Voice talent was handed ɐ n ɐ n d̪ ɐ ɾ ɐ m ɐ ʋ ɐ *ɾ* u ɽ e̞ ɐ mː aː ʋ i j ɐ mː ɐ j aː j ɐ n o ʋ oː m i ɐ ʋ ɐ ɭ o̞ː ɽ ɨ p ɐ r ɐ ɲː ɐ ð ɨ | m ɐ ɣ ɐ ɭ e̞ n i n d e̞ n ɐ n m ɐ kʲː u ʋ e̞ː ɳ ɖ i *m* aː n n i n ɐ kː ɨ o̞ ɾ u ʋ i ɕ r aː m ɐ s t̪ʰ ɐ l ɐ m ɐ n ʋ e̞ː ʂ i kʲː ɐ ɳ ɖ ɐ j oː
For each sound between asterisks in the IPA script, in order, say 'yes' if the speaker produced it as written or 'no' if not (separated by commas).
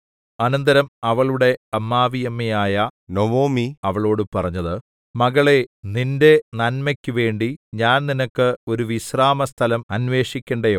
no, no